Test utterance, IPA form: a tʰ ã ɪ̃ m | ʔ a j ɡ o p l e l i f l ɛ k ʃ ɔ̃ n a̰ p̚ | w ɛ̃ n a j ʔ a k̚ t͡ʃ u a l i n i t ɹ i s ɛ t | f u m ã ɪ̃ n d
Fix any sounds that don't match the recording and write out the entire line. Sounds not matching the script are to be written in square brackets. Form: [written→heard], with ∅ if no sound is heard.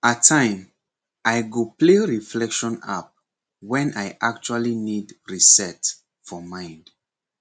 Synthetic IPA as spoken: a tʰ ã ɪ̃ m | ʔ a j ɡ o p l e [l→ɹ] i f l ɛ k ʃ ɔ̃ n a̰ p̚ | w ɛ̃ n a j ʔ a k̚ t͡ʃ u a l i n i [t→d] ɹ i s ɛ t | f [u→ɔ] m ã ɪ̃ n d